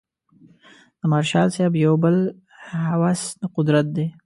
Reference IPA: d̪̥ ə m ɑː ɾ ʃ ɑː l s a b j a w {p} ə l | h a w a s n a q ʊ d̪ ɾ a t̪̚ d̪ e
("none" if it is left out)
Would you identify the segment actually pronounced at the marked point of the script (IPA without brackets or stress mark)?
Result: b